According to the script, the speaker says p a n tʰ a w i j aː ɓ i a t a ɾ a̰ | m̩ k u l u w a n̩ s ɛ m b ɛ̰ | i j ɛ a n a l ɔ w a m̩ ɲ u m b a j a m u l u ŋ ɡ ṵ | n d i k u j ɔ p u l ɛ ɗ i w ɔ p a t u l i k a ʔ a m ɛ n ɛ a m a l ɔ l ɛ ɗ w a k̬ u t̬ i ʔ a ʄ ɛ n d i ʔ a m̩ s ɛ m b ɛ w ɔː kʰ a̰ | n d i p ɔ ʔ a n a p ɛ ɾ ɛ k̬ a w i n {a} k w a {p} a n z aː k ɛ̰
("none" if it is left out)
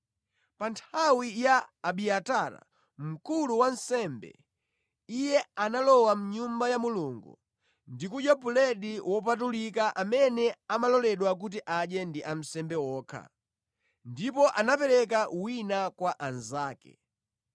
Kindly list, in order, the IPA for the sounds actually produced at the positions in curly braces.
a, ʔ

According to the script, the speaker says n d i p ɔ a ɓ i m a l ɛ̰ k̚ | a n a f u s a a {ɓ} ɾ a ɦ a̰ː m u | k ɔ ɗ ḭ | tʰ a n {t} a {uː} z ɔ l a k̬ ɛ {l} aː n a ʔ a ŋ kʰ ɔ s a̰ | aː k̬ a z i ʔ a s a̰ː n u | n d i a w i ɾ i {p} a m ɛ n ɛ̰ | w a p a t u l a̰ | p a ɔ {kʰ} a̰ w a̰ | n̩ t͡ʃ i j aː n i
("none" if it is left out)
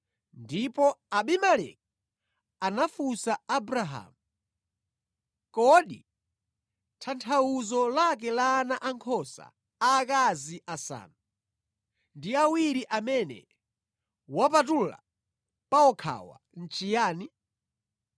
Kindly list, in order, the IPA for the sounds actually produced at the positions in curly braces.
b, tʰ, u, l, ʔ, kʰ

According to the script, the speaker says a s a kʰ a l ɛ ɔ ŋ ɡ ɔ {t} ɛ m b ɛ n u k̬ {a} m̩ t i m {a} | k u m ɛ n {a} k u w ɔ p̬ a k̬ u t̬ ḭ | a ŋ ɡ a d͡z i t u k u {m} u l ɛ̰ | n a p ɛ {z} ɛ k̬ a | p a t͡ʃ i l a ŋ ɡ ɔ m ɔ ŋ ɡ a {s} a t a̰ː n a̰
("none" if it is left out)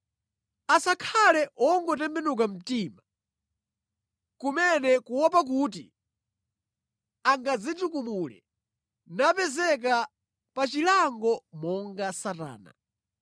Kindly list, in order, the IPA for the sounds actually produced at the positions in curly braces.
t, a, a, ɛ, m, z, s

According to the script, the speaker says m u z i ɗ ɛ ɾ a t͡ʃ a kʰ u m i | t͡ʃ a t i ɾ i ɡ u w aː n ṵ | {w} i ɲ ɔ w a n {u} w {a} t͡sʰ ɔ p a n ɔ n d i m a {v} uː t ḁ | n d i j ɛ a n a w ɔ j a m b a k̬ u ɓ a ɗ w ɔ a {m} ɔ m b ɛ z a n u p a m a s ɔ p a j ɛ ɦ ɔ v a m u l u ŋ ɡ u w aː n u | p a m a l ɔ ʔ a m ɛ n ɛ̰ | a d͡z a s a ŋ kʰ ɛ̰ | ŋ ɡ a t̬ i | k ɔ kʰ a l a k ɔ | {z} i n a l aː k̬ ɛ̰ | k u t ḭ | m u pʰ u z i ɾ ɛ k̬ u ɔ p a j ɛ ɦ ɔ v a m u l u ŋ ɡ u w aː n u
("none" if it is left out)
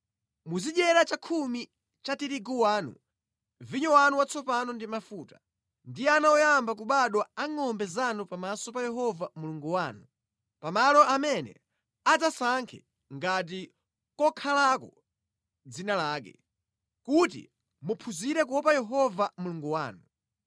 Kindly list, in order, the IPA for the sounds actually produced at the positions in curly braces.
v, u, a, f, ŋ, d͡z

